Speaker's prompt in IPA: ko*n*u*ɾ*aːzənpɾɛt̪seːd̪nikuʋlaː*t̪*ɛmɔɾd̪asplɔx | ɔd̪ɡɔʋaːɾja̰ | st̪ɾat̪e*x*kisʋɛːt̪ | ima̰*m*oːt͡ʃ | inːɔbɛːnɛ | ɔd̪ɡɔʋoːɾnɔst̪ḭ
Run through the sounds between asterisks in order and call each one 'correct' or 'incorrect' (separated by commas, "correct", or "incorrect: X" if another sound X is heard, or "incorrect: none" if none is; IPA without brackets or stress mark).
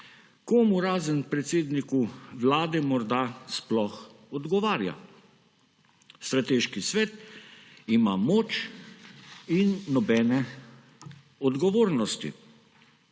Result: incorrect: m, correct, incorrect: d̪, incorrect: ʃ, correct